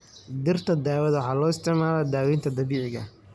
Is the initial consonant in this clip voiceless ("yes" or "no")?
no